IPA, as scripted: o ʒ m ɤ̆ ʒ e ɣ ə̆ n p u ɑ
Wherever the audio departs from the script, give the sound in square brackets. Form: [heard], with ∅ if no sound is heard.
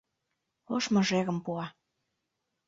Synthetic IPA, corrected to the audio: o [ʃ] m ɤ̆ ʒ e ɣ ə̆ [m] p u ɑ